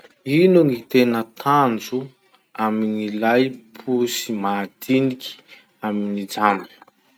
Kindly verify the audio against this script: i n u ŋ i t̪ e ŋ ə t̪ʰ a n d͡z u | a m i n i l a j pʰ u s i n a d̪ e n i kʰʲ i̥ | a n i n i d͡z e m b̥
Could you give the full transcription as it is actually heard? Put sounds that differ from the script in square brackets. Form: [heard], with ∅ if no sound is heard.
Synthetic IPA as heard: i n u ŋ i t̪ e [n] ə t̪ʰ a n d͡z u | a m i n i l a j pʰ u s i [m] a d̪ [i] n i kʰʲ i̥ | a [m] i n i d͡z [a] m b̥